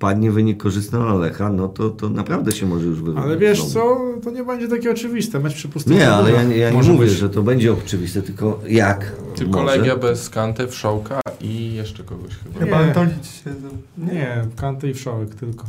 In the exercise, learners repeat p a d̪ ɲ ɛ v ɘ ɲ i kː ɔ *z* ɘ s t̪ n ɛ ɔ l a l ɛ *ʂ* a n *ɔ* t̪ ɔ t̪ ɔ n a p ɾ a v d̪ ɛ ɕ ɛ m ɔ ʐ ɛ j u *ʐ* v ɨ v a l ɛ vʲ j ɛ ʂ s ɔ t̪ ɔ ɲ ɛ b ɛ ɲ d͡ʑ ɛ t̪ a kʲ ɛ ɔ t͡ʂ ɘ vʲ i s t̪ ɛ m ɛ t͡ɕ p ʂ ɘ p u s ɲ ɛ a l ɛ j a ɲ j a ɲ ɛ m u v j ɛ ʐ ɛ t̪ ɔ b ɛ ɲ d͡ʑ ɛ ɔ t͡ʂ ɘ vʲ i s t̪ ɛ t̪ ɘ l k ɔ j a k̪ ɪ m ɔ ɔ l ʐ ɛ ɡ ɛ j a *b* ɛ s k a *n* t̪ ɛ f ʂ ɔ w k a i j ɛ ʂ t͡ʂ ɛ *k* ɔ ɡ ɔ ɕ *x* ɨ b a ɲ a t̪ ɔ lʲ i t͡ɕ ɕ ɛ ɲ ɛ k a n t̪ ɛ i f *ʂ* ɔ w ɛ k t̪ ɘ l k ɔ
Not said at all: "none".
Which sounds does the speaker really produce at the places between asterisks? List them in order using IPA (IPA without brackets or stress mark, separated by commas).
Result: ʐ, x, ɔ, ʐ, b, n, k, x, ʂ